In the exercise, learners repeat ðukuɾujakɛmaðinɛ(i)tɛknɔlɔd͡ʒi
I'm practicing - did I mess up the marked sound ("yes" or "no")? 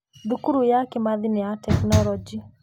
yes